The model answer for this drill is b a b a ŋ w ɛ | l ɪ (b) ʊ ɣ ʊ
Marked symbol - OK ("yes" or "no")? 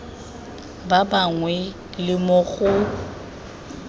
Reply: no